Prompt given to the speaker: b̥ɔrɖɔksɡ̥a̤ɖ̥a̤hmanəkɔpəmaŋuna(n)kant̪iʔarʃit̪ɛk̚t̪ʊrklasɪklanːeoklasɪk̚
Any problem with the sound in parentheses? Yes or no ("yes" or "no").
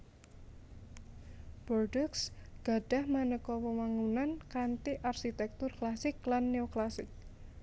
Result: no